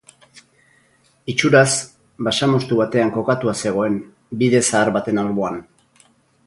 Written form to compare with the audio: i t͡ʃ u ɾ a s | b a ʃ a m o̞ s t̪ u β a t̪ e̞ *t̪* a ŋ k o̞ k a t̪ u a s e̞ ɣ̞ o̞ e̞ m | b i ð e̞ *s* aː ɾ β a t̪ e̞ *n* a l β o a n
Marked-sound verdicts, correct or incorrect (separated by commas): incorrect, correct, correct